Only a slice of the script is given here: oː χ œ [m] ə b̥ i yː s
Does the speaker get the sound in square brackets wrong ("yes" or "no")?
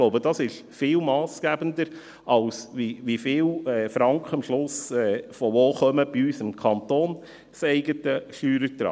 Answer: no